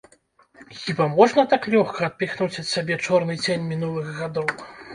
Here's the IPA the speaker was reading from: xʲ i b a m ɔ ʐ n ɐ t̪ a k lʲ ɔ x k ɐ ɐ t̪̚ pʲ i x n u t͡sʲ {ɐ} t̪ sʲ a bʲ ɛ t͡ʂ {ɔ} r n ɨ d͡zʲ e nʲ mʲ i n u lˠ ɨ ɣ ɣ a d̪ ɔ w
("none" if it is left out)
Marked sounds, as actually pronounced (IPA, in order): ɐ, ɔ

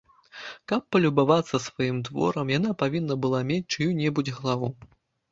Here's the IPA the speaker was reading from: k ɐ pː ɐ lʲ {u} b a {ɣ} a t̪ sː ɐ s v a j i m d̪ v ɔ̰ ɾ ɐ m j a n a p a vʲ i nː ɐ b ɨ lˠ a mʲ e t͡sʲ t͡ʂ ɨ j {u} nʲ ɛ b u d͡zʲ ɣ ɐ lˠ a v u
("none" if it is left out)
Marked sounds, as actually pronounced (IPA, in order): u, v, u

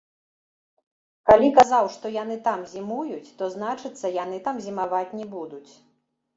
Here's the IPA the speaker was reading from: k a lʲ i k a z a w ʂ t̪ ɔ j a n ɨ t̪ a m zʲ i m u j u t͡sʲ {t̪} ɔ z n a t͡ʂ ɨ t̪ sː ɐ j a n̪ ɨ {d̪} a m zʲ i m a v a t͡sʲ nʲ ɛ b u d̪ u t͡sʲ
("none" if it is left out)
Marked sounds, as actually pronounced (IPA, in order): t̪, t̪

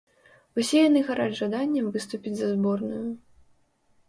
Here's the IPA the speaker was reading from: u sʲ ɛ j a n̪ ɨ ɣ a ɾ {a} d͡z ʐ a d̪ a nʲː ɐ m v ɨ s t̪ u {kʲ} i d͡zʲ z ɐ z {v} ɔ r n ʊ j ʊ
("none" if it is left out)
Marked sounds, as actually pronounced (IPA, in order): a, pʲ, b

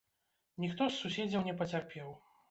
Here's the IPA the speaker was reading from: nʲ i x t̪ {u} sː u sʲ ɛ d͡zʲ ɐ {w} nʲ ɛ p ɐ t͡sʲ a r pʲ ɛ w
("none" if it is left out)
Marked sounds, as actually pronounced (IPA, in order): ɔ, w

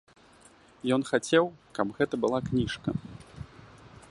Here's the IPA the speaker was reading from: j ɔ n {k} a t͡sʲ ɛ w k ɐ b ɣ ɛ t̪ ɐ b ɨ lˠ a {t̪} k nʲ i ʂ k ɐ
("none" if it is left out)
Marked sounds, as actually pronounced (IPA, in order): x, none

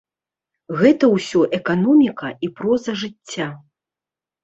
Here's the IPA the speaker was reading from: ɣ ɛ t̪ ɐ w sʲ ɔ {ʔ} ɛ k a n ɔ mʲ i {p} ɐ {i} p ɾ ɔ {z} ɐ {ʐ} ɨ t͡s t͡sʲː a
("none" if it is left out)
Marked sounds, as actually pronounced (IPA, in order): ʔ, k, i, z, ʐ

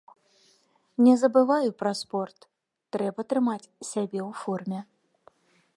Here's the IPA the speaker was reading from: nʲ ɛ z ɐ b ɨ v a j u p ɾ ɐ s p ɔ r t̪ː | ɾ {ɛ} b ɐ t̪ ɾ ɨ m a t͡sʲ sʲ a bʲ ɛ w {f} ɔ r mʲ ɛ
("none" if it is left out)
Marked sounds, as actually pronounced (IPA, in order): ɛ, f

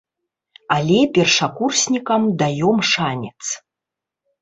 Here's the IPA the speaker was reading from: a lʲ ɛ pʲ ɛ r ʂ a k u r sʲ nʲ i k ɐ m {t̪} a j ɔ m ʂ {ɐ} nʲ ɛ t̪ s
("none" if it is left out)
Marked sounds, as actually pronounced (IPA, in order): d̪, a

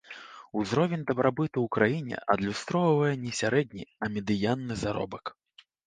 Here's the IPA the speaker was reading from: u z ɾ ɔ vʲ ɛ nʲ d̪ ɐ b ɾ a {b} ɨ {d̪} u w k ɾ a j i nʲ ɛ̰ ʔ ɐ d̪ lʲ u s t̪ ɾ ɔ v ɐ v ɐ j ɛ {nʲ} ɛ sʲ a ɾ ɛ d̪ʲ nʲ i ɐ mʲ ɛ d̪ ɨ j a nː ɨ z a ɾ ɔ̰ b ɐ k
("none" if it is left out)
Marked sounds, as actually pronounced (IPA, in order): b, t̪, nʲ

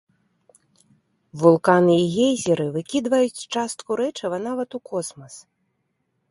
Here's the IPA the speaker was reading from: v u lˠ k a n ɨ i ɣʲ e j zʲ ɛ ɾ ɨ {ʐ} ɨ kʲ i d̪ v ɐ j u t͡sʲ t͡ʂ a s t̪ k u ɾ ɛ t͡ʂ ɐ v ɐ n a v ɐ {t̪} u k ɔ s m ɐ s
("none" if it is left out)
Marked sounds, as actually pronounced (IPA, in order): v, t̪

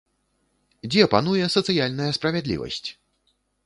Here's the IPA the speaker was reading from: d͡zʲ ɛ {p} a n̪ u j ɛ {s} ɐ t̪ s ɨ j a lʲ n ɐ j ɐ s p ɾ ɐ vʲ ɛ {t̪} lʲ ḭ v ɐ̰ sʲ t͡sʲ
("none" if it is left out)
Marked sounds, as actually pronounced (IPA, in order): p, s, d̪

